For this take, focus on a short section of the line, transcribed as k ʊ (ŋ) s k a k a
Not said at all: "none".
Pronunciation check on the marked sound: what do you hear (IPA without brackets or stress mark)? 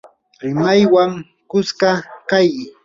none